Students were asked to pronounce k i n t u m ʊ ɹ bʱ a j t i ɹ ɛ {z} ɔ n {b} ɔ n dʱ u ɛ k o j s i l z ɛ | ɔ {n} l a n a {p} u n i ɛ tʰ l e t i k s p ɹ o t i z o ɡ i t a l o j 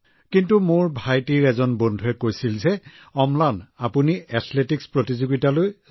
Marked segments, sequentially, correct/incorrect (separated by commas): correct, correct, incorrect, correct